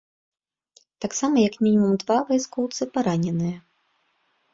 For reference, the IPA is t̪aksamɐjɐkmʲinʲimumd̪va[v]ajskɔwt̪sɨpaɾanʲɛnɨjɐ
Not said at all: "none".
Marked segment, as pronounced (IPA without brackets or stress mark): v